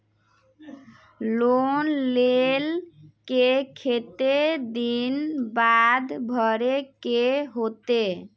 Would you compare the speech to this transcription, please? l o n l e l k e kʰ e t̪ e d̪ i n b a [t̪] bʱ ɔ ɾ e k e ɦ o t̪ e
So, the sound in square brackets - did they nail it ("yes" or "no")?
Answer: no